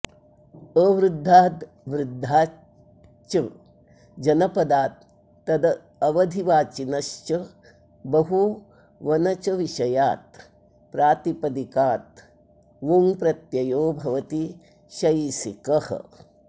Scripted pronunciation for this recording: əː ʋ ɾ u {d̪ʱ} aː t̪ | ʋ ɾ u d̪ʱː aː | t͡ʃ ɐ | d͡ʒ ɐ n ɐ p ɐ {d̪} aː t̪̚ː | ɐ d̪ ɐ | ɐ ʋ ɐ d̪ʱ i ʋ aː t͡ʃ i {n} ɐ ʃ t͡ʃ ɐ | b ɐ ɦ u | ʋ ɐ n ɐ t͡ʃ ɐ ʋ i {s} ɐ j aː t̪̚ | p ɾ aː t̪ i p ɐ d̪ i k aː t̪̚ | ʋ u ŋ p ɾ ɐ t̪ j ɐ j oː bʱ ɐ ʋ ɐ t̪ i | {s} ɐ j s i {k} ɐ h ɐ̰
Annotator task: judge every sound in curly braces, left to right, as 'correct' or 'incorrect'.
incorrect: d̪ʱː, correct, correct, incorrect: ʃ, incorrect: ʃ, correct

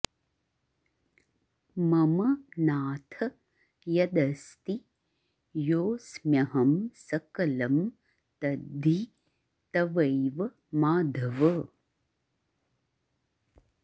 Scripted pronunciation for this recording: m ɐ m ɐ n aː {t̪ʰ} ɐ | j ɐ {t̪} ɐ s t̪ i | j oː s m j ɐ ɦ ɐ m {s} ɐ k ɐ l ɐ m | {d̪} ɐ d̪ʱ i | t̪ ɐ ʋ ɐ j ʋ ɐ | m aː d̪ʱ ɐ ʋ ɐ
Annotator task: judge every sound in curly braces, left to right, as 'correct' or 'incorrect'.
correct, incorrect: d̪, correct, incorrect: t̪

